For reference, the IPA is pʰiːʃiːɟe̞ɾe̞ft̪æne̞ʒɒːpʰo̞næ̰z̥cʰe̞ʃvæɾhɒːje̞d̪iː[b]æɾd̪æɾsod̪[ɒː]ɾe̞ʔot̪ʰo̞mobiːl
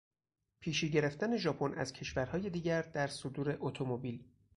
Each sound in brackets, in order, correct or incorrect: incorrect, incorrect

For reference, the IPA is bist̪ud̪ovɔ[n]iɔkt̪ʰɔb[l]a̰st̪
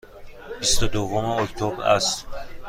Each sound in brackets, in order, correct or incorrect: incorrect, incorrect

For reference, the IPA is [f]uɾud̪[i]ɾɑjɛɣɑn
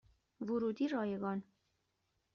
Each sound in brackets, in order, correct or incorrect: incorrect, correct

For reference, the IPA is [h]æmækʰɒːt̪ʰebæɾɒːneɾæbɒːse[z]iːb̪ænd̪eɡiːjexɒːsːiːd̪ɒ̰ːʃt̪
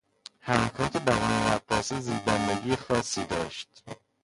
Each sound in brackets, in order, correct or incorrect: correct, correct

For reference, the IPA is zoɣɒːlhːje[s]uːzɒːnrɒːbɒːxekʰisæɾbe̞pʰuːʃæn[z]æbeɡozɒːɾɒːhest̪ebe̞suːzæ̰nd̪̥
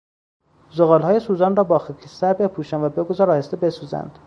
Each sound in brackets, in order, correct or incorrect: correct, incorrect

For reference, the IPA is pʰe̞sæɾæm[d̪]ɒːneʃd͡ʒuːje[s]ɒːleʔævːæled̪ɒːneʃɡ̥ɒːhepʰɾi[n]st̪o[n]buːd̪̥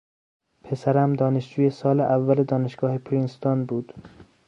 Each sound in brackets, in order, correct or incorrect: correct, correct, correct, correct

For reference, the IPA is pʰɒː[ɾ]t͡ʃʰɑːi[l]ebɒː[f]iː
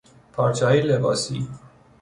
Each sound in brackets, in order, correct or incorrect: correct, correct, incorrect

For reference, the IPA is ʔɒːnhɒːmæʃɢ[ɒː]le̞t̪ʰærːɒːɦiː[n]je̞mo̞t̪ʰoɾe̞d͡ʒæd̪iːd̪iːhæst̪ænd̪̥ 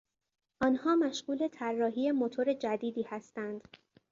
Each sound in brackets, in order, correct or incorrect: incorrect, incorrect

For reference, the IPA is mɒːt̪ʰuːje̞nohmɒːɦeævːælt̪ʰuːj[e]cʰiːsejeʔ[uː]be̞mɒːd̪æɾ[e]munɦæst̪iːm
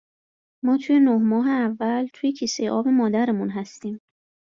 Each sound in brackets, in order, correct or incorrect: correct, incorrect, correct

